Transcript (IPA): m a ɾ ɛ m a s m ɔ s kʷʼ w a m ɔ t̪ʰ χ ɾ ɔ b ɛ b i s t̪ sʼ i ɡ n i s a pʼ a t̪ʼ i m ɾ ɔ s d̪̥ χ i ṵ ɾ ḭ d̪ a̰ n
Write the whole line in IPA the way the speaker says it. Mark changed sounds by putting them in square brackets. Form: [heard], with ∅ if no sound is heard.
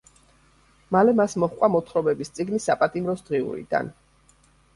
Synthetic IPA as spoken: m a [l] ɛ m a s m ɔ [χ] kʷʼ w a m ɔ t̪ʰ χ ɾ ɔ b ɛ b i s t̪ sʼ i ɡ n i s a pʼ a t̪ʼ i m ɾ ɔ s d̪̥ [ʁ] i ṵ ɾ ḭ d̪ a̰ n